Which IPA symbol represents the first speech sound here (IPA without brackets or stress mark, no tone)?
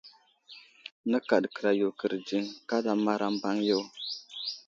n